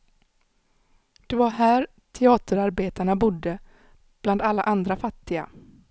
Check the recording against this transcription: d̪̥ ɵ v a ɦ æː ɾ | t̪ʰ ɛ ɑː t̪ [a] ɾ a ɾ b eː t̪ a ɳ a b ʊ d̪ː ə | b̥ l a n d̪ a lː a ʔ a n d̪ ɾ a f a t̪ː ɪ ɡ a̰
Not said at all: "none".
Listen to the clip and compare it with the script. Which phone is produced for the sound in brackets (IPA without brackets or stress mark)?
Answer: ə